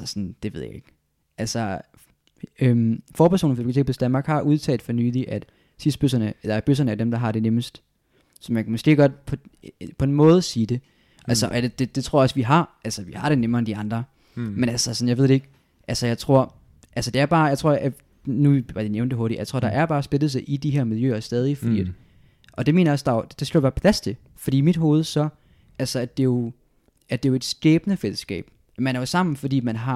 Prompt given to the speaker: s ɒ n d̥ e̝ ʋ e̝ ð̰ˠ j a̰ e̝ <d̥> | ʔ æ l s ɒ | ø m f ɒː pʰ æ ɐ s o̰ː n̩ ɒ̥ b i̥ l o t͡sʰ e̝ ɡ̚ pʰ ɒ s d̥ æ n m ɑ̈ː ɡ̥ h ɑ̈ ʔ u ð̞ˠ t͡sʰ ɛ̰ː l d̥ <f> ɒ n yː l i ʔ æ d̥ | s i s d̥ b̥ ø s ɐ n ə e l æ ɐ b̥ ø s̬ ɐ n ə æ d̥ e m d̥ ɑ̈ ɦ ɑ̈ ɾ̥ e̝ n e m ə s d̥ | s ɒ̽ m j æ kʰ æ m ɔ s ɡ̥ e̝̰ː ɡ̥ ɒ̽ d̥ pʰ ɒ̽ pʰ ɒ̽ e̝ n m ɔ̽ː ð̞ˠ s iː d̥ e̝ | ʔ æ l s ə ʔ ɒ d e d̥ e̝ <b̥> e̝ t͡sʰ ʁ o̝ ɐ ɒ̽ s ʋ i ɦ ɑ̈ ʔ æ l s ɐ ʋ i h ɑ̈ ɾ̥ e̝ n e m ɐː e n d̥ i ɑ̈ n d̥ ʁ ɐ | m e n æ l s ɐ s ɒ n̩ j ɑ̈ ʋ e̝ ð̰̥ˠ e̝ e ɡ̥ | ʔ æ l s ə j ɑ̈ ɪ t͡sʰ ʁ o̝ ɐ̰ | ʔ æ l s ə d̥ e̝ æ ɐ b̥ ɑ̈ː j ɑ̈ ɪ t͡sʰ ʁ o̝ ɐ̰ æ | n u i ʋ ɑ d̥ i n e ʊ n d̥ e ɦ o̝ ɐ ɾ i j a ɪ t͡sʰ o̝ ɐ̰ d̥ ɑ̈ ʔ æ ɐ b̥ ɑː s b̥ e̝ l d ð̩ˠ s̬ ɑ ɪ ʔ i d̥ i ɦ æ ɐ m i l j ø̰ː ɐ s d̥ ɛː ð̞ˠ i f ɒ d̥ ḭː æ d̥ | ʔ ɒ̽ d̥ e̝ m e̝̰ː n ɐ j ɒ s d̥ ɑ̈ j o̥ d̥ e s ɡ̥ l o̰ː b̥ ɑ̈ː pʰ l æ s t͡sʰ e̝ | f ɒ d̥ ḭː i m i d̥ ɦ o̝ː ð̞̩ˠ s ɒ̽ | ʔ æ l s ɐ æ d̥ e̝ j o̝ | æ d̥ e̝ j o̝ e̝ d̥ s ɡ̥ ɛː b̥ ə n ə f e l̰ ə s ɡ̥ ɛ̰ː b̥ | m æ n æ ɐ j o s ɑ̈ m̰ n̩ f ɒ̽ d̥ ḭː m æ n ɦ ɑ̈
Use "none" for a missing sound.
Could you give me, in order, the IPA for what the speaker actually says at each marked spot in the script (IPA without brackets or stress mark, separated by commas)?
ɡ̥, f, d̥